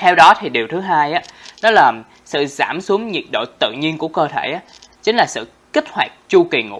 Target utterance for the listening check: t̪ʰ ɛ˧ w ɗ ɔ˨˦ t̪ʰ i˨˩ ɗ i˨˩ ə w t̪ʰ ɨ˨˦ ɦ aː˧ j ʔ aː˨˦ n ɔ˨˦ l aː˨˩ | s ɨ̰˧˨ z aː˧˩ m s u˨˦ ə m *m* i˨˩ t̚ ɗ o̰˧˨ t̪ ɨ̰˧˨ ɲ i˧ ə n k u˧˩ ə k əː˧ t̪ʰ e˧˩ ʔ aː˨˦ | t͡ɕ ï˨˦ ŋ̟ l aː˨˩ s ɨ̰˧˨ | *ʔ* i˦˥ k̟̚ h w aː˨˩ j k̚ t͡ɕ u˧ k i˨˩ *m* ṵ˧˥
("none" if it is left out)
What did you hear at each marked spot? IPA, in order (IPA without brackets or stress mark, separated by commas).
ɲ, k, ŋ